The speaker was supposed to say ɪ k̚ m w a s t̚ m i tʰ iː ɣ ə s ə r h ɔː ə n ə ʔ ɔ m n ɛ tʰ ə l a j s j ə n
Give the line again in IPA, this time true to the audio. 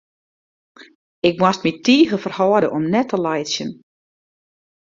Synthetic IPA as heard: ɪ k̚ m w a s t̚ m i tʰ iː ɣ ə f ə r h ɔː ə d ə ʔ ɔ m n ɛ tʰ ə l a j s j ə n